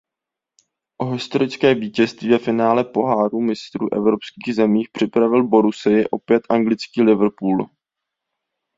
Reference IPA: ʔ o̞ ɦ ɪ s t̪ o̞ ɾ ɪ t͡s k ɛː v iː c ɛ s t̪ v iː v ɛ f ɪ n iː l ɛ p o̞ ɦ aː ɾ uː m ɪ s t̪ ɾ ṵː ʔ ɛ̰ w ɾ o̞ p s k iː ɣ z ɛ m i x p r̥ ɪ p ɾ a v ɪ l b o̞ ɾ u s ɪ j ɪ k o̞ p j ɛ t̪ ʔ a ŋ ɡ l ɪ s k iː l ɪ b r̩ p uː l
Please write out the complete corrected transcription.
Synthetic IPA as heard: ʔ o̞ ɦ ɪ s t̪ o̞ ɾ ɪ t͡s k ɛː v iː c ɛ s t̪ v iː v ɛ f ɪ n aː l ɛ p o̞ ɦ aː ɾ uː m ɪ s t̪ ɾ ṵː ʔ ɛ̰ v ɾ o̞ p s k iː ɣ z ɛ m iː x p r̥ ɪ p ɾ a v ɪ l b o̞ ɾ u s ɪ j ɪ ʔ o̞ p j ɛ t̪ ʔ a ŋ ɡ l ɪ t͡s k iː l ɪ v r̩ p uː l